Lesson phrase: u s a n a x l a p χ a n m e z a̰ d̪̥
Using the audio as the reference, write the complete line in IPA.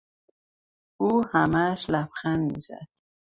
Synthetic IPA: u h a m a ʃ l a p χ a n m i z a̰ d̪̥